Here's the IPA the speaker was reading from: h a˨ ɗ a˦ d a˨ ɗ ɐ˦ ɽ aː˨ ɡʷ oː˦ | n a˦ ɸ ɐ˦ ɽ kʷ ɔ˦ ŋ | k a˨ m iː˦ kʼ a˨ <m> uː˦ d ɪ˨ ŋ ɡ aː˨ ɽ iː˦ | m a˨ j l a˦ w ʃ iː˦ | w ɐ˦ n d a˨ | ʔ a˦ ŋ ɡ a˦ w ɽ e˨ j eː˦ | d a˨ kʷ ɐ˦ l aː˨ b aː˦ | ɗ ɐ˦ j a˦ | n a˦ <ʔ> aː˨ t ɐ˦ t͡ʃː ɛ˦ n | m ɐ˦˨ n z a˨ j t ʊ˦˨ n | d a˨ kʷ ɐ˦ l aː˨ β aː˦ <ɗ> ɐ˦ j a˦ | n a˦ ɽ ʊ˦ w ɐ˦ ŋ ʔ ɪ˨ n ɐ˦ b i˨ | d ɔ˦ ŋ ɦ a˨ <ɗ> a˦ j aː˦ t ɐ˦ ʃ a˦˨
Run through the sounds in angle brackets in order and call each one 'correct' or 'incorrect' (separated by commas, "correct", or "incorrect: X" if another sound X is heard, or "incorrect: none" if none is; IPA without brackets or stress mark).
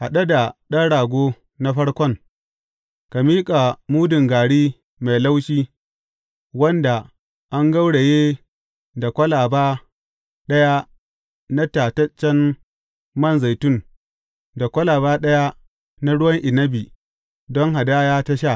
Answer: correct, incorrect: t, correct, incorrect: d